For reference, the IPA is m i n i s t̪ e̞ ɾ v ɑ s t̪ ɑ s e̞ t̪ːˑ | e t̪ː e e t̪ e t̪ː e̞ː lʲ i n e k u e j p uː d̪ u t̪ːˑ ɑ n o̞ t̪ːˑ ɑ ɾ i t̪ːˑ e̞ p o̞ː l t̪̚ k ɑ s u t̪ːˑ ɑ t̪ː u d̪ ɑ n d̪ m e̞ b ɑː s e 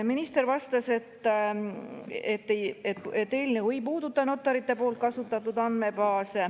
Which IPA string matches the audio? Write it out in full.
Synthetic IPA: m i n i s t̪ e̞ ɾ v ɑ s t̪ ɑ s e̞ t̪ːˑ | e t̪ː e e t̪ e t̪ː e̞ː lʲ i n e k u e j p uː d̪ u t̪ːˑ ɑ n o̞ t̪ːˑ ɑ ɾ i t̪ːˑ e̞ p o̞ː l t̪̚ k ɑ s u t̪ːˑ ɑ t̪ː u d̪ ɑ n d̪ m e̞ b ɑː s e